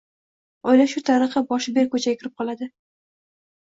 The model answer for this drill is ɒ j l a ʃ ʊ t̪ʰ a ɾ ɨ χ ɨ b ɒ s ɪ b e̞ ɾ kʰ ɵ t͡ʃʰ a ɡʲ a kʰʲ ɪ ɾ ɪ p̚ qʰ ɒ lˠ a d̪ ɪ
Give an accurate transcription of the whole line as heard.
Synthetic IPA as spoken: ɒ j l a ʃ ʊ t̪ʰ a ɾ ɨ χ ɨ b ɒ ʃ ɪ b e̞ ɾ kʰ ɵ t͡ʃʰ a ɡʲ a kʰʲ ɪ ɾ ɪ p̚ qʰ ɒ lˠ a d̪ ɪ